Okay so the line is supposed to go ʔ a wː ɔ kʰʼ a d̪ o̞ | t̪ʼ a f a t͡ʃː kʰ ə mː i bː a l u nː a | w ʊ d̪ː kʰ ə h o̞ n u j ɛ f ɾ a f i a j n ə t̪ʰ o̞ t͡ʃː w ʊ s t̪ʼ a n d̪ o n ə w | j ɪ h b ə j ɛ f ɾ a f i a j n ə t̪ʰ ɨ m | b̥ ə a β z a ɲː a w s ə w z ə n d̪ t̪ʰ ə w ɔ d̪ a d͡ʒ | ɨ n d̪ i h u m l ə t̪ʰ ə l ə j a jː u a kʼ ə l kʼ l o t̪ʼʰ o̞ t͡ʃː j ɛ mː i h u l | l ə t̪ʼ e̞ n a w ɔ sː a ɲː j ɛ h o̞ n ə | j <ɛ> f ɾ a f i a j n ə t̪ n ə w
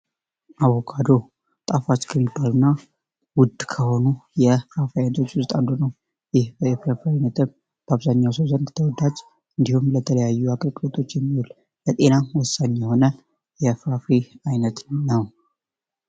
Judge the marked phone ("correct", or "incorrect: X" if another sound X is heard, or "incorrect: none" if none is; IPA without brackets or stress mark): correct